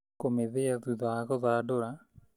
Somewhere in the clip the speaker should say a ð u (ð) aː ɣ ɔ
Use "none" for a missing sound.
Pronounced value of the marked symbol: ð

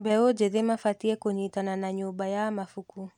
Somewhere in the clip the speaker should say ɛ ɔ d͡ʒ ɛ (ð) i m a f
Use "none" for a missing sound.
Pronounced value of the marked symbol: ð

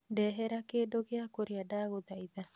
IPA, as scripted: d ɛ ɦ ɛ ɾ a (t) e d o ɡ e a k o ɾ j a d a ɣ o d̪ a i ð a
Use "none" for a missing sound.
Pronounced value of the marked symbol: k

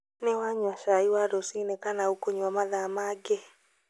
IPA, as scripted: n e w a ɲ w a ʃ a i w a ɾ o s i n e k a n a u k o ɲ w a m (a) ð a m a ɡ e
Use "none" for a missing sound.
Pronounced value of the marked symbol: a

